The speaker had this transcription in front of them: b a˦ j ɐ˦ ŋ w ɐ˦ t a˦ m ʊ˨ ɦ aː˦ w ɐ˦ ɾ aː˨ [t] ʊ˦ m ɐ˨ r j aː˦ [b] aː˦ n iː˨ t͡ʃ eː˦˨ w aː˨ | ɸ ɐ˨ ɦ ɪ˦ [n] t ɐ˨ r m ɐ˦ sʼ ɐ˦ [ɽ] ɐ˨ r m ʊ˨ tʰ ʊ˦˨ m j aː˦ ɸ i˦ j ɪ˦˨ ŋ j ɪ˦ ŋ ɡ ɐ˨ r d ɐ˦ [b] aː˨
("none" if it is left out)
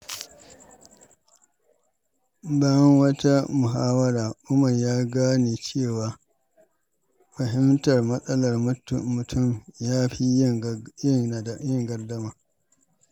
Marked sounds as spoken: ʔ, ɡ, m, l, m

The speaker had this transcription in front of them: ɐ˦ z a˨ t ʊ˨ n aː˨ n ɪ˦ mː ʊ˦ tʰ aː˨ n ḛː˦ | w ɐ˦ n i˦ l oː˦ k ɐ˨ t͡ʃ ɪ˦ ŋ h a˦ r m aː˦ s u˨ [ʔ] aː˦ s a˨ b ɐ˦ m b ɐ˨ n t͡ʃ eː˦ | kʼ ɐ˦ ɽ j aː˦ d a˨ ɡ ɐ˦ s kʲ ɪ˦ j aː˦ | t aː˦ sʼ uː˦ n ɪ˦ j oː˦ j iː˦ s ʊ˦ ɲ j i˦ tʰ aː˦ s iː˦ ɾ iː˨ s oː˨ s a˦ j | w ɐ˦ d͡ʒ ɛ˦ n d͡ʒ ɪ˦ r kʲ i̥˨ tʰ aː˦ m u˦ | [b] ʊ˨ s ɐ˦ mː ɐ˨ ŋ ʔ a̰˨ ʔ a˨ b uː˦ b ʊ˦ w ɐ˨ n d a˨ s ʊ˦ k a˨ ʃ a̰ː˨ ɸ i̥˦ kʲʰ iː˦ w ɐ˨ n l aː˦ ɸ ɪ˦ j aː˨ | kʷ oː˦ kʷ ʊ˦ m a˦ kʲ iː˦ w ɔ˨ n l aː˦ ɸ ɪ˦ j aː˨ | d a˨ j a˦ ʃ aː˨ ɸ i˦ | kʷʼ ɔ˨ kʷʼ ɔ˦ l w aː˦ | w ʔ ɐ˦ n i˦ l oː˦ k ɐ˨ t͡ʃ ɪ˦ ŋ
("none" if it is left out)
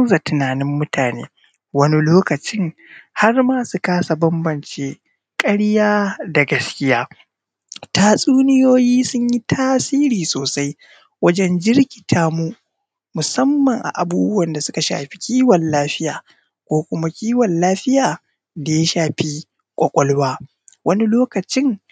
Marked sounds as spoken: k, m

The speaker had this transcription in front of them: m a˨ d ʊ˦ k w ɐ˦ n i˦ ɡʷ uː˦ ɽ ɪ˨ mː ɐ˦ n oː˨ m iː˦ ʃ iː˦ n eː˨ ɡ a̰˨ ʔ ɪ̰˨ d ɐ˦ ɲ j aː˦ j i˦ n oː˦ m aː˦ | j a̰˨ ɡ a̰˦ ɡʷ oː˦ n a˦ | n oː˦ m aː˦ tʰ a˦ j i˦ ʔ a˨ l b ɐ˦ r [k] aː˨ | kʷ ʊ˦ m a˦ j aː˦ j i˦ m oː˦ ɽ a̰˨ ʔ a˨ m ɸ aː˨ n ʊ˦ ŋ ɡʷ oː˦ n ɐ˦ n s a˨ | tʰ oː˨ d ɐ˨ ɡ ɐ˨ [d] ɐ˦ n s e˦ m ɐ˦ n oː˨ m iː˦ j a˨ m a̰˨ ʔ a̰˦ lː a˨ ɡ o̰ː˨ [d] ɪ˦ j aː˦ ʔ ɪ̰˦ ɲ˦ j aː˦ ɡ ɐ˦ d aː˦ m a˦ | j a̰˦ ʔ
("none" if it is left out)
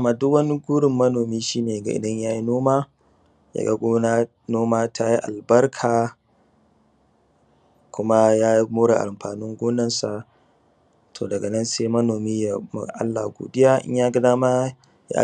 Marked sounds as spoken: kʰ, n, d

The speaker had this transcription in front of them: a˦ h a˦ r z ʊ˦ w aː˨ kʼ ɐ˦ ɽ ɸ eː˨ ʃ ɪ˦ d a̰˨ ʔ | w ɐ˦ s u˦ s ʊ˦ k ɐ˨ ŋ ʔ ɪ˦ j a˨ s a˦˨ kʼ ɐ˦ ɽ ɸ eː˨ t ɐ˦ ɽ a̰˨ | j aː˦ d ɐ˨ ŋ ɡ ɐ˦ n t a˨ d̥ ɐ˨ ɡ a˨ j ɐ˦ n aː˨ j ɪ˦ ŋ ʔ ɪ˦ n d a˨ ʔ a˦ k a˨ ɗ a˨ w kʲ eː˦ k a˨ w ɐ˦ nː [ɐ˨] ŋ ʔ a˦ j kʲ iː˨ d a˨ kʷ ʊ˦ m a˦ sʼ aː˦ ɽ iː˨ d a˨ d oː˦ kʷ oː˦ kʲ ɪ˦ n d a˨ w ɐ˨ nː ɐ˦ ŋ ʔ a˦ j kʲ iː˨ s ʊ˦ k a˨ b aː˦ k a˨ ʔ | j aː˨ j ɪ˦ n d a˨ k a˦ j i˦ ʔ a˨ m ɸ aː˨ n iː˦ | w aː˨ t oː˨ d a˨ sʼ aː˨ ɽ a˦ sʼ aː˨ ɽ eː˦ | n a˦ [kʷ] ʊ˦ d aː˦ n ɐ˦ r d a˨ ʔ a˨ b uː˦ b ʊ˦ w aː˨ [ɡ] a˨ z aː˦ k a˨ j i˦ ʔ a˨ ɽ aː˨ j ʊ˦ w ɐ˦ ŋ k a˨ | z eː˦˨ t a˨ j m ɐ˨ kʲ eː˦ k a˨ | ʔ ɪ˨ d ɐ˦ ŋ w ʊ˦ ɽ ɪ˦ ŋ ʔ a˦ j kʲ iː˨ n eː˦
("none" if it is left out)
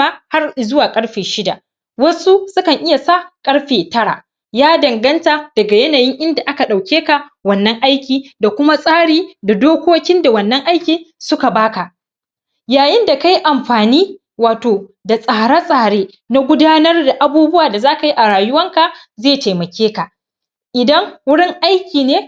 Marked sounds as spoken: ɐ˦, ɡʷ, d

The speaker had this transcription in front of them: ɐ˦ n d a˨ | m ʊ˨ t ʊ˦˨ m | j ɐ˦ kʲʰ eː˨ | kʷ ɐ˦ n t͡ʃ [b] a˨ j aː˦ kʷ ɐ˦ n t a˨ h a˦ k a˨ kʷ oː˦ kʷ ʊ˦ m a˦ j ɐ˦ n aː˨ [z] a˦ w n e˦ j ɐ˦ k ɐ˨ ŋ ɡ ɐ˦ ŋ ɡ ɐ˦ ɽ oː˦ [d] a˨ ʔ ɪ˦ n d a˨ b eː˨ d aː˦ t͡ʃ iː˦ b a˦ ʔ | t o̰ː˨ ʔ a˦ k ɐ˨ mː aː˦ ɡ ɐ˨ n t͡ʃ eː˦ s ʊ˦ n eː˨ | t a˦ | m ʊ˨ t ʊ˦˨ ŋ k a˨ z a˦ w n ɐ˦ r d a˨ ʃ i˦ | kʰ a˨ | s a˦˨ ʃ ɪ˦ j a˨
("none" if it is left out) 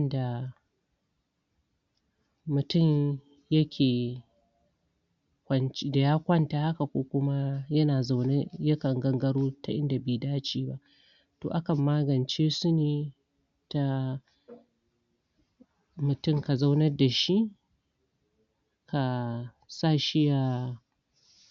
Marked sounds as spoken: d, z, t

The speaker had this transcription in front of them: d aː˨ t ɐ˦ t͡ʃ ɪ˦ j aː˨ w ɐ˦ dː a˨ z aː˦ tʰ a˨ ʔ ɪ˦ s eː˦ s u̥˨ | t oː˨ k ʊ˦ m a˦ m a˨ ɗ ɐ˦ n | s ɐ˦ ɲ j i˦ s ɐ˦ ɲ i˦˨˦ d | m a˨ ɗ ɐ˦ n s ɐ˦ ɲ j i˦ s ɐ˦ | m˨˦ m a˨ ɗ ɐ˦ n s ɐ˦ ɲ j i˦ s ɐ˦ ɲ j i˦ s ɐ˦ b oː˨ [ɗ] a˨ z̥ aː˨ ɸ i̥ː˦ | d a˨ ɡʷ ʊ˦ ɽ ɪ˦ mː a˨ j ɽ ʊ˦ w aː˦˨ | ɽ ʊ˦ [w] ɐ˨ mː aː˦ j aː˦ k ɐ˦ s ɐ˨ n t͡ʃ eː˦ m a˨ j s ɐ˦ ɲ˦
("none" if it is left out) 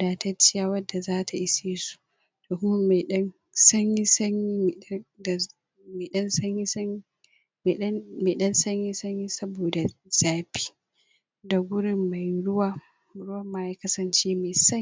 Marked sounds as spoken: d, w

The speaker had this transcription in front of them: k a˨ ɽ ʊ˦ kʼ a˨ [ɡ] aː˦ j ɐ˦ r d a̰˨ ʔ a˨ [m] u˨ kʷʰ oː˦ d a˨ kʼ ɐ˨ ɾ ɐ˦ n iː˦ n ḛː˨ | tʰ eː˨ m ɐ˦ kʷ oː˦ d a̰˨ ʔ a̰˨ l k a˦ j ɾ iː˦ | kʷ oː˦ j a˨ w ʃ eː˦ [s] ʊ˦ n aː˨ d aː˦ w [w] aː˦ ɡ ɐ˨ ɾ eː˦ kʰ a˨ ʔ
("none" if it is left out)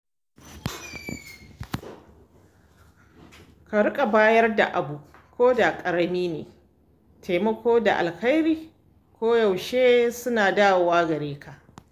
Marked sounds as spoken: b, b, s, w

